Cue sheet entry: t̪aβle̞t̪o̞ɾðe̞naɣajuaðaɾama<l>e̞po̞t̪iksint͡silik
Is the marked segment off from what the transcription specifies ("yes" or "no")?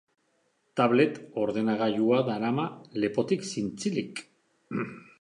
no